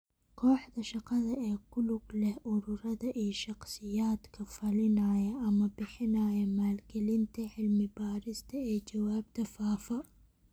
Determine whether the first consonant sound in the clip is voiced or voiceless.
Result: voiceless